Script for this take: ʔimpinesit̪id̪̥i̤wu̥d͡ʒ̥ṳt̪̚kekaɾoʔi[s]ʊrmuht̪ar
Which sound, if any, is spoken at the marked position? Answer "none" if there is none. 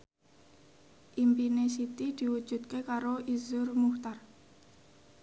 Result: z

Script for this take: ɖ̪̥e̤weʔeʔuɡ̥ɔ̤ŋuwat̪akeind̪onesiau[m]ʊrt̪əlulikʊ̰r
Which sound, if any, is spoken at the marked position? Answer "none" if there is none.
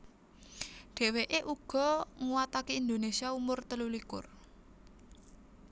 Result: m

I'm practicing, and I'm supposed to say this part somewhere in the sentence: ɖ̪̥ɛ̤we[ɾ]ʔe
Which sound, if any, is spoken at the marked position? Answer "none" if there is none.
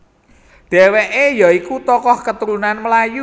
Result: none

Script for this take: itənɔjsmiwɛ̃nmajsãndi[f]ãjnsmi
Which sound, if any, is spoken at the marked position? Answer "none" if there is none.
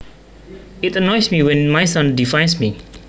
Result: f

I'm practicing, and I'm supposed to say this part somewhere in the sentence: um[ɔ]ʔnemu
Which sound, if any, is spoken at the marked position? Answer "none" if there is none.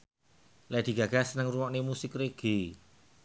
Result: ɔ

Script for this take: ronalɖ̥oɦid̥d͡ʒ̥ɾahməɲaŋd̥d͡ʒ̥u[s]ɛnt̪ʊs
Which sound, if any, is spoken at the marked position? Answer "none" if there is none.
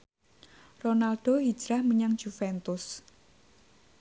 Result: f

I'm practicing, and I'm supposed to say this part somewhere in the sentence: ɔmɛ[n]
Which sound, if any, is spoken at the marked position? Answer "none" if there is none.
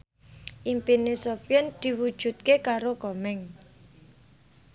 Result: ŋ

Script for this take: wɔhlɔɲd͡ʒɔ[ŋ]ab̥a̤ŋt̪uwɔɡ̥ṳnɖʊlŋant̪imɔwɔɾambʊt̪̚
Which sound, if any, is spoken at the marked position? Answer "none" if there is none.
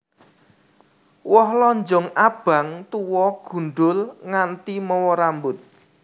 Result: ŋ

